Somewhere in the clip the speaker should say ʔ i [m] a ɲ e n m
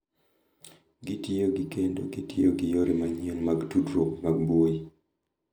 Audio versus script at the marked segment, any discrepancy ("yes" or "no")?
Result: no